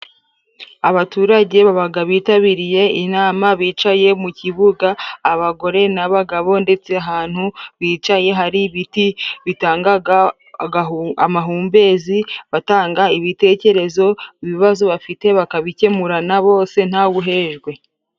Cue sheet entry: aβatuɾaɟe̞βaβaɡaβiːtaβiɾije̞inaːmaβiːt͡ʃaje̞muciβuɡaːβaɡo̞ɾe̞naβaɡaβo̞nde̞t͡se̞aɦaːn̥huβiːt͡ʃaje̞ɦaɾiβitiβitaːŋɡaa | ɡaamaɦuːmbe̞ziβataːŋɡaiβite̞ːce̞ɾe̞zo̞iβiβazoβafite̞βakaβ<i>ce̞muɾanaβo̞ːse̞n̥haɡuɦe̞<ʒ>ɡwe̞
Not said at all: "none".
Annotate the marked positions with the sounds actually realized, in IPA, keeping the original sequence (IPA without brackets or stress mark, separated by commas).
i, ʒ